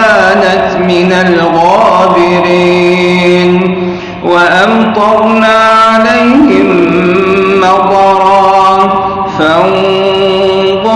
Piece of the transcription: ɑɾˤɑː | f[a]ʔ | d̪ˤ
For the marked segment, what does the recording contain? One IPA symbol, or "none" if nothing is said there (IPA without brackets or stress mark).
a